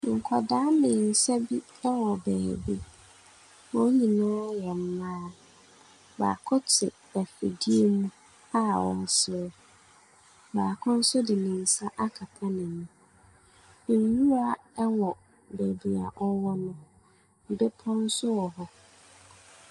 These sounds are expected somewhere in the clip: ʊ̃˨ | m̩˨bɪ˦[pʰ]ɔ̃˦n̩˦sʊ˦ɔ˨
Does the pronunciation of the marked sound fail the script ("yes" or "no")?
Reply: no